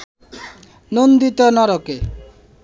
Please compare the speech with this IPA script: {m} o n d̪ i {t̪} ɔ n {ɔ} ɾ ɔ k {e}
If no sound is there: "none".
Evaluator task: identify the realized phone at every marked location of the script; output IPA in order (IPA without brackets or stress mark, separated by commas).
n, t̪, ɔ, e